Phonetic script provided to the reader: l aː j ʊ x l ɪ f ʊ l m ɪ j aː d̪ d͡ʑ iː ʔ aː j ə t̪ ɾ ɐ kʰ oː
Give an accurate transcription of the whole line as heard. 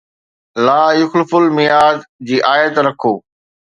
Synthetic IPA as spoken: l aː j ʊ x l ɪ f ʊ l m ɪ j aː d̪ d͡ʑ iː ʔ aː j ə t̪ ɾ ɐ kʰ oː

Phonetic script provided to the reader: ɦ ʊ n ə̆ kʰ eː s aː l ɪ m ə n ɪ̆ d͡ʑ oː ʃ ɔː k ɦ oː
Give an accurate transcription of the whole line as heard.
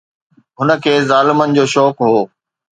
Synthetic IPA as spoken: ɦ ʊ n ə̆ kʰ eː z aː l ɪ m ə n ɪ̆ d͡ʑ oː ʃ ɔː k ɦ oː

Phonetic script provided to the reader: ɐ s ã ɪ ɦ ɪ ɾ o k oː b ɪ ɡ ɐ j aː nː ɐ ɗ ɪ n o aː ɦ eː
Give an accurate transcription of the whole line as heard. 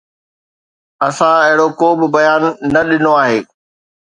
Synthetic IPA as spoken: ɐ s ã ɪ ɦ ɪ ɽ o k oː b ɪ b ɐ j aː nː ɐ ɗ ɪ n o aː ɦ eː

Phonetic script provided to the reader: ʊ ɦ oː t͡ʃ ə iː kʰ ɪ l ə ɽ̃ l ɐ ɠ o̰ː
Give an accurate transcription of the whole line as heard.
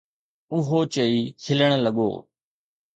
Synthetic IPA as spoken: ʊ ɦ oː t͡ʃ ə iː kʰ ɪ l ə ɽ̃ l ə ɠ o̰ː

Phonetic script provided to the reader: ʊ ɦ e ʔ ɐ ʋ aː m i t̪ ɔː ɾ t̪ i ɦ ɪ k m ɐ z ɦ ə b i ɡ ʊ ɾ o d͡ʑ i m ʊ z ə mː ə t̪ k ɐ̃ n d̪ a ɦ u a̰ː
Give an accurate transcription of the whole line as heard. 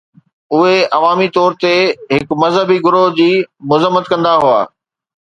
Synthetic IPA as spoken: ʊ ɦ e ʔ ɐ ʋ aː m i t̪ ɔː ɾ t̪ e ɦ ɪ k m ɐ z ɦ ə b i ɡ ʊ ɾ o d͡ʑ iː m ʊ z ə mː ə t̪ k ɐ̃ n d̪ a ɦ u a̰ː

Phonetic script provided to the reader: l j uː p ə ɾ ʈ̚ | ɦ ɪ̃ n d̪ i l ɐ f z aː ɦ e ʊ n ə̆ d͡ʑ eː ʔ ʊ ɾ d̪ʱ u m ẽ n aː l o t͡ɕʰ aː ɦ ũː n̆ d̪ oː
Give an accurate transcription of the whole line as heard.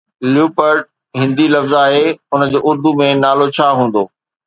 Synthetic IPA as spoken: l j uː p ə ɾ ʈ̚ | ɦ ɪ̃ n d̪ i l ɐ f z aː ɦ e ʊ n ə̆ d͡ʑ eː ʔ ʊ ɾ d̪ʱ u m ẽ n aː l o t͡ɕʰ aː ɦ ũː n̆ d̪ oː

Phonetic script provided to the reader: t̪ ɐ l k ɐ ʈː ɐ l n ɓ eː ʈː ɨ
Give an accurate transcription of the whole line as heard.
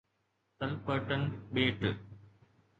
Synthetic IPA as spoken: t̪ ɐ l p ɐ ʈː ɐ n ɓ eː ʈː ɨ

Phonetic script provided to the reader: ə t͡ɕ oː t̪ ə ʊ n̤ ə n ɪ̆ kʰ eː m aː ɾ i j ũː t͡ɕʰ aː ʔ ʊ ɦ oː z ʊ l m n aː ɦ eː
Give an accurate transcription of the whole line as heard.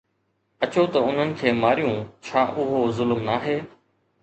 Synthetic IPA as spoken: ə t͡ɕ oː t̪ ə ʊ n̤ ə n ɪ̆ kʰ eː m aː ɾ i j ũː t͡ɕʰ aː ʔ ʊ ɦ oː z ʊ l m n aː ɦ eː

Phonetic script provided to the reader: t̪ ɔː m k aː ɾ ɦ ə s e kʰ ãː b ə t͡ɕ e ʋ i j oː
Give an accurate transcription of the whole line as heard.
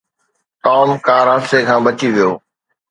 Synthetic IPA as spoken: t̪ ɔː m k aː ɾ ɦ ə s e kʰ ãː b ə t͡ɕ i ʋ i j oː

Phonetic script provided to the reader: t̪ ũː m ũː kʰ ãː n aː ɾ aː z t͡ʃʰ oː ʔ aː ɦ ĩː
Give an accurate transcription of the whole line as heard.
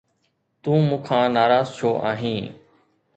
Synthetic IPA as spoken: t̪ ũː m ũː kʰ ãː n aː ɾ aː z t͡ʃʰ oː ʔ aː ɦ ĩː

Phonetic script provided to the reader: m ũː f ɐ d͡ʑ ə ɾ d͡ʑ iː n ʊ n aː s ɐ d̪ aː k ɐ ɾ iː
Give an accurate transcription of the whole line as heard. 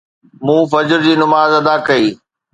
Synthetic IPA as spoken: m ũː f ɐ d͡ʑ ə ɾ d͡ʑ iː n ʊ m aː z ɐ d̪ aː k ɐ iː

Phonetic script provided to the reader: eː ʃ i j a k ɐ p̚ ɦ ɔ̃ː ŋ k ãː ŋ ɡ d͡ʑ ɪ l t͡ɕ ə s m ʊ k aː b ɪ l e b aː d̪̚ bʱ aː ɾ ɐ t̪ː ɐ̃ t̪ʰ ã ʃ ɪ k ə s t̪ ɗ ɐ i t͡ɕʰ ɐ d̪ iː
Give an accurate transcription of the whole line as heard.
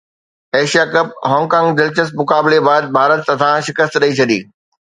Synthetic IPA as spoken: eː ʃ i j a k ɐ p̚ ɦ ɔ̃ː ŋ k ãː ŋ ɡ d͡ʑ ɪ l t͡ɕ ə s m ʊ k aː b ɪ l e b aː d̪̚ bʱ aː ɾ ə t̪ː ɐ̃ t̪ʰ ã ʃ ɪ k ə s t̪ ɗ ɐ i t͡ɕʰ ɐ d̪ iː

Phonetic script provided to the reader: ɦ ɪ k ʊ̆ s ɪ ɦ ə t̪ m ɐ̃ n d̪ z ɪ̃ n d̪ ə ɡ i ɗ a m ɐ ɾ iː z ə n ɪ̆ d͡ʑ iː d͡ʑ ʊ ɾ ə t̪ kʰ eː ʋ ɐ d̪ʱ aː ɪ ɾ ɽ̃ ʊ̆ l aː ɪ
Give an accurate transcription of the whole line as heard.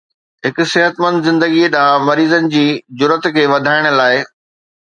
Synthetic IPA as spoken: ɦ ɪ k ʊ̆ s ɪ ɦ ə t̪ m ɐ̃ n d̪ z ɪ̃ n d̪ ə ɡ i ɗ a m ɐ ɾ iː z ə n ɪ̆ d͡ʑ iː d͡ʑ ʊ ɾ ə t̪ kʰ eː ʋ ɐ d̪ʱ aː ɪ ɽ̃ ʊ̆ l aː ɪ

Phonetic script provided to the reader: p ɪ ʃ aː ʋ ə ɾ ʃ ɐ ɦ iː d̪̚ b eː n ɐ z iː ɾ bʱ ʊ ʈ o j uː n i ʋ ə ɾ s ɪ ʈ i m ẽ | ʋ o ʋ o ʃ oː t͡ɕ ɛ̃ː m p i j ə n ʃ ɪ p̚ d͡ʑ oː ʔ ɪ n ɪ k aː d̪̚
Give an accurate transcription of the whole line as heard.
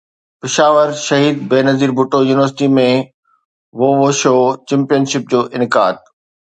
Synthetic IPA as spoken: p ɪ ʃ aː ʋ ə ɾ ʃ ɐ ɦ iː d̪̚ b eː n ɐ z iː ɾ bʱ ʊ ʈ o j uː n ɪ ʋ ə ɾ s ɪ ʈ i m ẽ | ʋ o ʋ o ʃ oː t͡ɕ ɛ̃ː m p i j ə n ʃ ɪ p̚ d͡ʑ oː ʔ ɪ n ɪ k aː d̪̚

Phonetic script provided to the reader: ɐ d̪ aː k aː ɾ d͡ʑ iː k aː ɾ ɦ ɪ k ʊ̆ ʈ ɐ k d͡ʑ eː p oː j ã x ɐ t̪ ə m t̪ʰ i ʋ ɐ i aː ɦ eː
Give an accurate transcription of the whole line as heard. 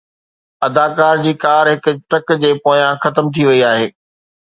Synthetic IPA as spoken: ɐ d̪ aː k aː ɾ d͡ʑ iː k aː ɾ ɦ ɪ k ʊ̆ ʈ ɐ k d͡ʑ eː p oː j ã x ɐ t̪ ə m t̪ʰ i ʋ ɐ i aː ɦ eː

